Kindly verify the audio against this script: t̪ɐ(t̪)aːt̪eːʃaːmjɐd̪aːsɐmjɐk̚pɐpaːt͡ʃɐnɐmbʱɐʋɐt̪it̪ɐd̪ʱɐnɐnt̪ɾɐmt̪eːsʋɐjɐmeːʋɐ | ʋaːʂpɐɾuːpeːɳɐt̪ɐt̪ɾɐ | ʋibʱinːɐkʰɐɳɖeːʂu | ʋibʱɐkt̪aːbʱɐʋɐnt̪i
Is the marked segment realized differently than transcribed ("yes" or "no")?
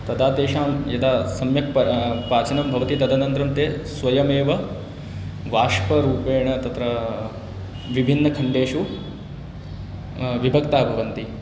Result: yes